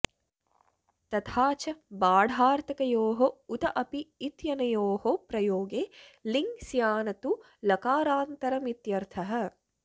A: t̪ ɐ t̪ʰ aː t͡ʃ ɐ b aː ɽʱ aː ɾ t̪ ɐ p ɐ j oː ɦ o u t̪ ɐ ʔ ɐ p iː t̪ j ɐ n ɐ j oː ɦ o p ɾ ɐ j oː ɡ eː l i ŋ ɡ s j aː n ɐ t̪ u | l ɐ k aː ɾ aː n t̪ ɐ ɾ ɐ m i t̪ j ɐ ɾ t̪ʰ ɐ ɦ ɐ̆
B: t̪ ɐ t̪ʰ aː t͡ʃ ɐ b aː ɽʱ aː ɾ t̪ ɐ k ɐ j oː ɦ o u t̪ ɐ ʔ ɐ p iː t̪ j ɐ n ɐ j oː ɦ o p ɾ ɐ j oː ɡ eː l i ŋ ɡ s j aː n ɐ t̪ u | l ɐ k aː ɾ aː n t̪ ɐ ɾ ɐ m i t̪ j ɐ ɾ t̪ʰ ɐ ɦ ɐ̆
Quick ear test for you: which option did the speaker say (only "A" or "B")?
B